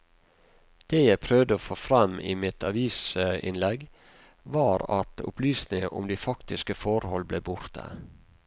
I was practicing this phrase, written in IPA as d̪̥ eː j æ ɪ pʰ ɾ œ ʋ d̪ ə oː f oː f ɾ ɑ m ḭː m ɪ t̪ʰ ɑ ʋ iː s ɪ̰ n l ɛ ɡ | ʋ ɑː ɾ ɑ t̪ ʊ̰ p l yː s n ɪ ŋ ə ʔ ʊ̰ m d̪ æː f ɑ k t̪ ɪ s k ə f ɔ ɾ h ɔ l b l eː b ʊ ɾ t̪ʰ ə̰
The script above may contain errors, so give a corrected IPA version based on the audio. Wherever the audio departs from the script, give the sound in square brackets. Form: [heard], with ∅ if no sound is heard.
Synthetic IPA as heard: d̪̥ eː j æ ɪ pʰ ɾ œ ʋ d̪ ə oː f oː f ɾ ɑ m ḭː m ɪ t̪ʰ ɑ ʋ iː s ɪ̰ n l ɛ ɡ | ʋ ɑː ɾ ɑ t̪ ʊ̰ p l yː s n ɪ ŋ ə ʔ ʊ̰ m d̪ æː f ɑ k t̪ ɪ s k ə f ɔ ɾ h ɔ l b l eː b ʊ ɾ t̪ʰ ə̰